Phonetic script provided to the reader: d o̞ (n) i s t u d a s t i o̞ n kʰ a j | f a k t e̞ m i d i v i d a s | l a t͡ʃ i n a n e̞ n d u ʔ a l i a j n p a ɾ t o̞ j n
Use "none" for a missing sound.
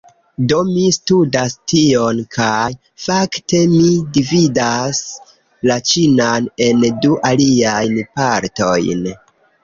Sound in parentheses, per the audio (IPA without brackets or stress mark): m